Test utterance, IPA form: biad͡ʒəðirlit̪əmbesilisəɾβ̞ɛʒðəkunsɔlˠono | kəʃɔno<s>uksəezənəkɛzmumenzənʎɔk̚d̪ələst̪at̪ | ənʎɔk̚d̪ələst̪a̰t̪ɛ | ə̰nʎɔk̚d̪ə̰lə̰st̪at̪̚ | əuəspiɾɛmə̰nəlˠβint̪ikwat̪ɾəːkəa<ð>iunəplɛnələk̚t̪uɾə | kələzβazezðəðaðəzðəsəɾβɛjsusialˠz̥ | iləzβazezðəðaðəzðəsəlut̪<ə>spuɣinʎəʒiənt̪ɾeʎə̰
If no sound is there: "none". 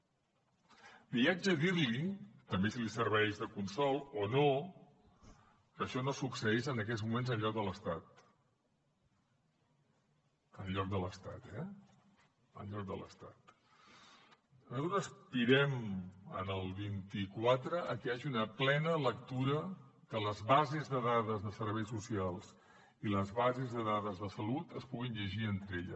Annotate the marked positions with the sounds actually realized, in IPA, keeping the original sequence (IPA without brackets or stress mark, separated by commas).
s, ʒ, ə